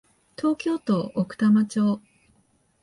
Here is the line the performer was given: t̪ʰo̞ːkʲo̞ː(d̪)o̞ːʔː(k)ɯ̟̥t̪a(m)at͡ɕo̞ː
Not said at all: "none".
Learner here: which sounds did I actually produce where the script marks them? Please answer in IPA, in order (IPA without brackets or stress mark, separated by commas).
t̪, k, m